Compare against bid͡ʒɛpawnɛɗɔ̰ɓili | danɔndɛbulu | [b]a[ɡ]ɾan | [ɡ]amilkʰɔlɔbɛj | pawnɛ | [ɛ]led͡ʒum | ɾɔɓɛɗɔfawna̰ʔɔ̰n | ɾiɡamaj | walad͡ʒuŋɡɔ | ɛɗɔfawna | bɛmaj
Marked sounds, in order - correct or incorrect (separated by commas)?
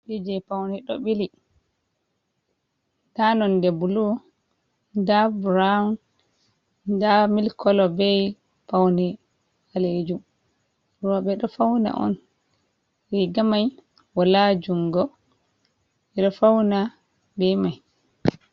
incorrect, incorrect, incorrect, incorrect